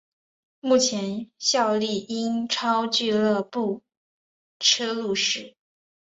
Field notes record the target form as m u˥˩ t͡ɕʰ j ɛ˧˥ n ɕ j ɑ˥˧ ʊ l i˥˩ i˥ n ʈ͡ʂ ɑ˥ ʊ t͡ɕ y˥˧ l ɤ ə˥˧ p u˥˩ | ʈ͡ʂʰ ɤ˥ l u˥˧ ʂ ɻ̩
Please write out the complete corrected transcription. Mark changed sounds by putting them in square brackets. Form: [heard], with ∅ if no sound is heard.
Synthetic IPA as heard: m u˥˩ t͡ɕʰ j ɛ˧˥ n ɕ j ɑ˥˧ ʊ l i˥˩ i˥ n [ʈ͡ʂʰ] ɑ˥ ʊ t͡ɕ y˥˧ l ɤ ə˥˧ p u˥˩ | ʈ͡ʂʰ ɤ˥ l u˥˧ ʂ ɻ̩